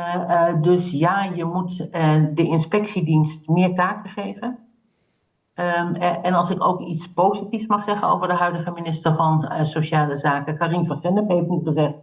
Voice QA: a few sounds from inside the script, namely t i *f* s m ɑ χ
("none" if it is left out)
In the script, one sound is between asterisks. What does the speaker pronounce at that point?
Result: f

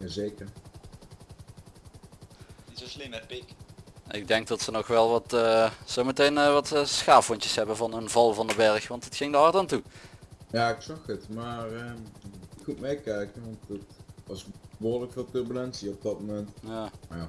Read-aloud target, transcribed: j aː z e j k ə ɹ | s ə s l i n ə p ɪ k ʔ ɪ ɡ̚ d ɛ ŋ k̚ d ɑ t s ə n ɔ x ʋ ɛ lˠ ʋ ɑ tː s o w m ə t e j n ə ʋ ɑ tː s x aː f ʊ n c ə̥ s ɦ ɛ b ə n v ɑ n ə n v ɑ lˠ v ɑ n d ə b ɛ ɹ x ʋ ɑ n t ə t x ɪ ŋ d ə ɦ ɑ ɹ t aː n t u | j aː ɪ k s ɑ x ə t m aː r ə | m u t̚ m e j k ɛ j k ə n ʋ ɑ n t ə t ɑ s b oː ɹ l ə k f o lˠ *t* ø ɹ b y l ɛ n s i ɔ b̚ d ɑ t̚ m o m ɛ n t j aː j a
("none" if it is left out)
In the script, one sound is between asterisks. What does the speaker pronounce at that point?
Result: t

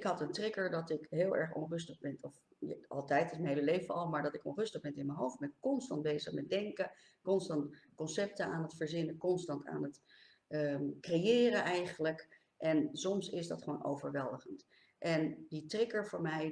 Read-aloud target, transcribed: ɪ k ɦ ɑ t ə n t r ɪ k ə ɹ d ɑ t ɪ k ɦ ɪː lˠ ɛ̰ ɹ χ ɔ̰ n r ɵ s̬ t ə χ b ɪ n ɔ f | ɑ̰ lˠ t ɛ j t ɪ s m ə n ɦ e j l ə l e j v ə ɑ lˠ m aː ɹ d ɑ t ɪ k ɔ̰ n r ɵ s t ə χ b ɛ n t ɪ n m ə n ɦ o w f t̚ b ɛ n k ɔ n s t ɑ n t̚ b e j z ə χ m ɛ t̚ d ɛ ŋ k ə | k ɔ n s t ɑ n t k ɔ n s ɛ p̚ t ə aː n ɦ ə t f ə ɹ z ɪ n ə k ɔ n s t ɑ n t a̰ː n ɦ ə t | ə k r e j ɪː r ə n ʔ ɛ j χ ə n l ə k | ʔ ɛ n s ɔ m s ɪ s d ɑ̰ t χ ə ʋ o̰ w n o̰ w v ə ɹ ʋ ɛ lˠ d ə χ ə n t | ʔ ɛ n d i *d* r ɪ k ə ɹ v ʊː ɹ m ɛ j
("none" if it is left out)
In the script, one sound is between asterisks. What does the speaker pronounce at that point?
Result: t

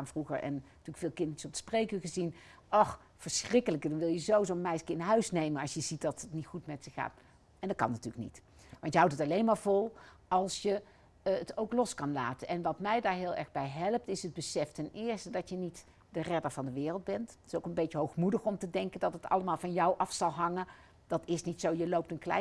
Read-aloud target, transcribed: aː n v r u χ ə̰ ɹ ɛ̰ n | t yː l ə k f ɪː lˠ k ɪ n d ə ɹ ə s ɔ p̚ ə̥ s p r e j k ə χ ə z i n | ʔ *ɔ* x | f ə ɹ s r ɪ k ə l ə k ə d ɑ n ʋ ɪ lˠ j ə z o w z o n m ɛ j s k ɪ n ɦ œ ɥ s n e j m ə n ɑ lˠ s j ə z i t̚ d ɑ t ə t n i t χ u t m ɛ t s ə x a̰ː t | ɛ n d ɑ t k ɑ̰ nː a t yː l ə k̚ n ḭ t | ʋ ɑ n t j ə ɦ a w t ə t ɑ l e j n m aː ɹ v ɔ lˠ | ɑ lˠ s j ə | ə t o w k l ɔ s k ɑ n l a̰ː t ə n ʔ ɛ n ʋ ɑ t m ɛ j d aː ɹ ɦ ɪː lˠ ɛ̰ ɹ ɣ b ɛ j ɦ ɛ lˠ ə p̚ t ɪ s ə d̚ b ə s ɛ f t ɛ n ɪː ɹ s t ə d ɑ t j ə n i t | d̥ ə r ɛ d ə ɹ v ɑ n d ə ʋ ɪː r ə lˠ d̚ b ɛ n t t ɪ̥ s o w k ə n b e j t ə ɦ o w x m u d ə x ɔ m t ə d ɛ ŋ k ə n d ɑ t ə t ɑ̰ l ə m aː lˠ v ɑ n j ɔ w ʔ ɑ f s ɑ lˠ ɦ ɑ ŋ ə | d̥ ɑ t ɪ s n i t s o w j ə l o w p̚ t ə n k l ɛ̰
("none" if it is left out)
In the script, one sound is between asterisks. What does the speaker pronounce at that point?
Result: ɔ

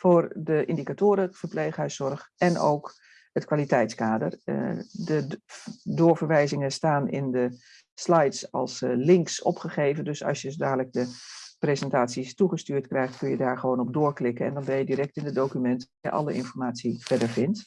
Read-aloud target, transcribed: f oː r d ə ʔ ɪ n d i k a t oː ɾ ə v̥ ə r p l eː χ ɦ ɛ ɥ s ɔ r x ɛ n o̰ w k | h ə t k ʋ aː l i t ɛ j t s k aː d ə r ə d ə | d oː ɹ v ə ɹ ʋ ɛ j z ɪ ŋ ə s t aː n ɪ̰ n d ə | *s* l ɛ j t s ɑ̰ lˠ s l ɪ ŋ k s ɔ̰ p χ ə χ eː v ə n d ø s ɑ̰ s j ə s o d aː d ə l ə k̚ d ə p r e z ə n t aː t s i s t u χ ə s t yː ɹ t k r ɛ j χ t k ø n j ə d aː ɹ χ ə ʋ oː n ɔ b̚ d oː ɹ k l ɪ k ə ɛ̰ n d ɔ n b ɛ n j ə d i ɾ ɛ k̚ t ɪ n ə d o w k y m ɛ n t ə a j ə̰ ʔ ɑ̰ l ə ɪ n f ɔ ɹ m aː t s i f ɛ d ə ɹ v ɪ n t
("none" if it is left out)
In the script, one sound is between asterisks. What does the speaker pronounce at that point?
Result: s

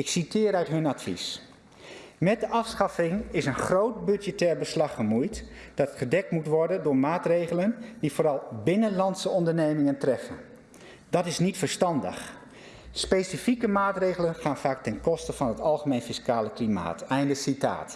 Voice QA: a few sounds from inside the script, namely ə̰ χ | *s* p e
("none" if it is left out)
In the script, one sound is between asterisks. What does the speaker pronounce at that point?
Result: s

